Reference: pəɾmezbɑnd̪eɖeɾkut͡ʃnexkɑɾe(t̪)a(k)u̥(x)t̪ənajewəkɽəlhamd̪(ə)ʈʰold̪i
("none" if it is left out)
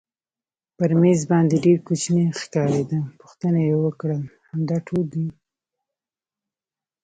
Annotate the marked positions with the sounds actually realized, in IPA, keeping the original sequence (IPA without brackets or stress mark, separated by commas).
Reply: d̪, p, x, ɑ